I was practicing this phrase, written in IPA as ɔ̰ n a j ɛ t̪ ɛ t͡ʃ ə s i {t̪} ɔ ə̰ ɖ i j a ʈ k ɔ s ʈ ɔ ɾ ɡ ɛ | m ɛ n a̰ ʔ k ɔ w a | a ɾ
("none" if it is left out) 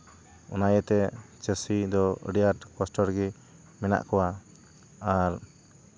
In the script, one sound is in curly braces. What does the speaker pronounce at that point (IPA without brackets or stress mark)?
d̪